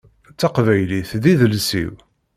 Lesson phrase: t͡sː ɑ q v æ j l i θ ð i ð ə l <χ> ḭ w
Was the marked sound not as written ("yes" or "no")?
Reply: yes